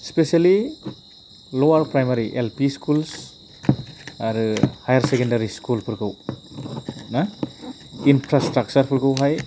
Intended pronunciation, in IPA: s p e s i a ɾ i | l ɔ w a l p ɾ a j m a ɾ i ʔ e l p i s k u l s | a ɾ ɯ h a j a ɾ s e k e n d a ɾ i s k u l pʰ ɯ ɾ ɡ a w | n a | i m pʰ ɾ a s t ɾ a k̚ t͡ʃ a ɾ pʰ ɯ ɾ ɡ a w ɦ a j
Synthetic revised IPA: s p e s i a l i | l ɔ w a ɾ p ɾ a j m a ɾ i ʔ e l p i s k u l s | a ɾ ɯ h a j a ɾ s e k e n d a ɾ i s k u l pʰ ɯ ɾ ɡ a w | n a | i n pʰ ɾ a s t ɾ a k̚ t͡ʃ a ɾ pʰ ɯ ɾ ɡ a w ɦ a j